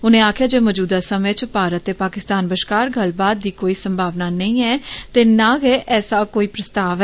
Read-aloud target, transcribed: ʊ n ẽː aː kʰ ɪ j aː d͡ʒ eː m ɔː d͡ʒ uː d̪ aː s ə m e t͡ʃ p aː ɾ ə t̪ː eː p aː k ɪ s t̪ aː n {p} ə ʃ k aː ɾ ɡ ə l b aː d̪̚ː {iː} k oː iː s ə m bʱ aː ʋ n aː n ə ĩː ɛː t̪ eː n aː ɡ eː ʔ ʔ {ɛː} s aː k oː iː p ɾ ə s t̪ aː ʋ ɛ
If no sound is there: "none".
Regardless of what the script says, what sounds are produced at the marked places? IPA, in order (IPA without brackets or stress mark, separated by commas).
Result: b, iː, ɛː